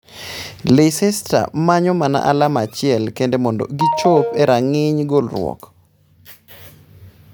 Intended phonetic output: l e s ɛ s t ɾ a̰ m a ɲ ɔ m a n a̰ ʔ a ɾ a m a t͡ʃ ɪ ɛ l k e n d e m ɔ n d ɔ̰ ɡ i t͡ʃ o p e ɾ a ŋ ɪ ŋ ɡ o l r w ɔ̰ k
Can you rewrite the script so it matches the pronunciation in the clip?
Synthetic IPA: l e s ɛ s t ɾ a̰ m a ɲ ɔ m a n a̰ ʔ a l a m a t͡ʃ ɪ ɛ l k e n d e m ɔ n d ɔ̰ ɡ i t͡ʃ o p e ɾ a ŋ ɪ ɲ ɡ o l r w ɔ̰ k